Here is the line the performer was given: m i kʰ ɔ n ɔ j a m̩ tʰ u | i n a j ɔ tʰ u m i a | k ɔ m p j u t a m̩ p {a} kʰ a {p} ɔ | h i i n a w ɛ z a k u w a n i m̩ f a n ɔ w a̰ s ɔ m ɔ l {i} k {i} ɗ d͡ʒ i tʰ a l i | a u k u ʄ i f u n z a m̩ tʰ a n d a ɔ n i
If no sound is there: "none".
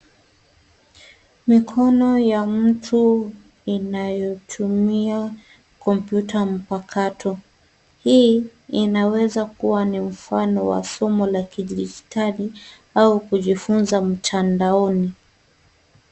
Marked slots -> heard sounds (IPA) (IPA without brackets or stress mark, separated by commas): a, t, a, i